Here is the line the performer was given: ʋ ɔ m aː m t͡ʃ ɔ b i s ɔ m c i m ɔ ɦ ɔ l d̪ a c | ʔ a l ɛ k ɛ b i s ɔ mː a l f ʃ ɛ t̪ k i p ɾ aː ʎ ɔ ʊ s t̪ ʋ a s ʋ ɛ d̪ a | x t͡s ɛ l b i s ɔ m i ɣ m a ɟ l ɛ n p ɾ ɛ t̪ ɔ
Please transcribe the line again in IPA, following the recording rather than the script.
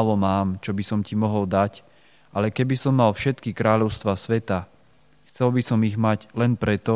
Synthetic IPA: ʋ ɔ m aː m t͡ʃ ɔ b i s ɔ m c i m ɔ ɦ ɔ l d̪ a c | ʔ a l ɛ k ɛ b i s ɔ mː a l f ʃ ɛ t̪ k i k ɾ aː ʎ ɔ ʊ s t̪ ʋ a s ʋ ɛ t̪ a | x t͡s ɛ l b i s ɔ m i ɣ m a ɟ l ɛ n p ɾ ɛ t̪ ɔ